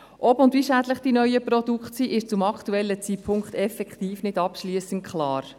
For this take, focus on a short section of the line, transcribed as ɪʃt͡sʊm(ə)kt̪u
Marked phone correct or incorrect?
incorrect